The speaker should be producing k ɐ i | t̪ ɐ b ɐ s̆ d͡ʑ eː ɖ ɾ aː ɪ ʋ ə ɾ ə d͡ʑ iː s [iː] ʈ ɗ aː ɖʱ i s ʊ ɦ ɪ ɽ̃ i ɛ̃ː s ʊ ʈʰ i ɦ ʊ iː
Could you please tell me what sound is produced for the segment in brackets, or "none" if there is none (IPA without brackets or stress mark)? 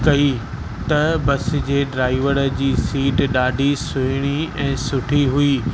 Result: iː